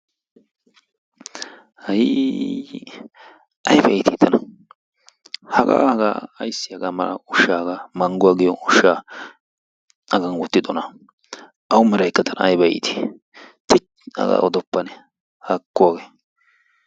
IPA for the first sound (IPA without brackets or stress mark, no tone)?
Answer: h